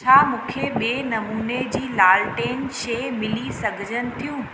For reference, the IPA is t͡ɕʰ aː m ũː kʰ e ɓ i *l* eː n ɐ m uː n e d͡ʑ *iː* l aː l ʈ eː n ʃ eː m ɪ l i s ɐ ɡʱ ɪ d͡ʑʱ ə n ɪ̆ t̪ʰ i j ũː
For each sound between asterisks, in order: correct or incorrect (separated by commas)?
incorrect, correct